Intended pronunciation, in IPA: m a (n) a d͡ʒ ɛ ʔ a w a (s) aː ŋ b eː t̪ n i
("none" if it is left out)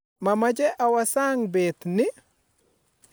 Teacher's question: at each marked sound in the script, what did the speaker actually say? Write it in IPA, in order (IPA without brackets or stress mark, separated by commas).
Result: m, s